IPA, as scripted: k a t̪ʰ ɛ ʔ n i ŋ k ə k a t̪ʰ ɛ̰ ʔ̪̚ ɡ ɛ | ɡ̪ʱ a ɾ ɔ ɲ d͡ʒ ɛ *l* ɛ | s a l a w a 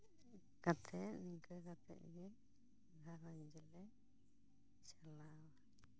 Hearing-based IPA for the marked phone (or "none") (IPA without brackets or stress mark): l